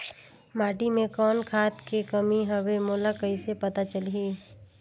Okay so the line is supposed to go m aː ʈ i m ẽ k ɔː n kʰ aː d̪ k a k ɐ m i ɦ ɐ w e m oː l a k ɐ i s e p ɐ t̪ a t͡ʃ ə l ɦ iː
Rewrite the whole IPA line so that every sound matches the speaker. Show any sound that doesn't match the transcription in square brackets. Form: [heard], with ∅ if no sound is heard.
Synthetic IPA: m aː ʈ i m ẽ k ɔː n kʰ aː [t̪] k [e] k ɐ m i ɦ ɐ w e m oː l a k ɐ i s e p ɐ t̪ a t͡ʃ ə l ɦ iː